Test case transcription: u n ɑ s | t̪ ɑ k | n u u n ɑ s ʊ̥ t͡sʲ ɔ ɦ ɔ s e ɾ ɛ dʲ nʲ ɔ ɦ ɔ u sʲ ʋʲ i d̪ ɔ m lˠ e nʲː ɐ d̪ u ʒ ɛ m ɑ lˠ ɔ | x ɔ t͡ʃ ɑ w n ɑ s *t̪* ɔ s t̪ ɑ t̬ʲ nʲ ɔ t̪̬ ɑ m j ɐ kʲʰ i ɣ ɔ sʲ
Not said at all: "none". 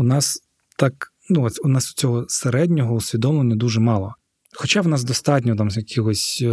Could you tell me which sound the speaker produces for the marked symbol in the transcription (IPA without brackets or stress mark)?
d̪